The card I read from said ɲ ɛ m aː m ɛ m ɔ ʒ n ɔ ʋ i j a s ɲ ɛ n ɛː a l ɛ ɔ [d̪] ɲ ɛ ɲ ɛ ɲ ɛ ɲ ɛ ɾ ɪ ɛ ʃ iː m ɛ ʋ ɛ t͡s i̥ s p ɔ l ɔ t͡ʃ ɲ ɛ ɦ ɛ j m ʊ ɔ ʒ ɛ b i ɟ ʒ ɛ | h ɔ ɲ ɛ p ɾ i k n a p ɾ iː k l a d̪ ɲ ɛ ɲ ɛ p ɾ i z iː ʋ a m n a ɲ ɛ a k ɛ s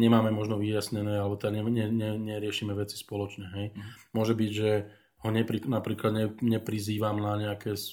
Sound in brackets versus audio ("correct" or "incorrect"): incorrect